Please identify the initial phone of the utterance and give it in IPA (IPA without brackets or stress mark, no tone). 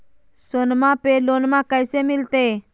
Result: s